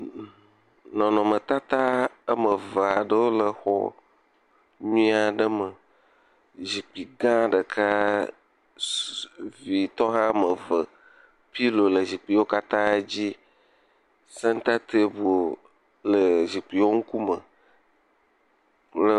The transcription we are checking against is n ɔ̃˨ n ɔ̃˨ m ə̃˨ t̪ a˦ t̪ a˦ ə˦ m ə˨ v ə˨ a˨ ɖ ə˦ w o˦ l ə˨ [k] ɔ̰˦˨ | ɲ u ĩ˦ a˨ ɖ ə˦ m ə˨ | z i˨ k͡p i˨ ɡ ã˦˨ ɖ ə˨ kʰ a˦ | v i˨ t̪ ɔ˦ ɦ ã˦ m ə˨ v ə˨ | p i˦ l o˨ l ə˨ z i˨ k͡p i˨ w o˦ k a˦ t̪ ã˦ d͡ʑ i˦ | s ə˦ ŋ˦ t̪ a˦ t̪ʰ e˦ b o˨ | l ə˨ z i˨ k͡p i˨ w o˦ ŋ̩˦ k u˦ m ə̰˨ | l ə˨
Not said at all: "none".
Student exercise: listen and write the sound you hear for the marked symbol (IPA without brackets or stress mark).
x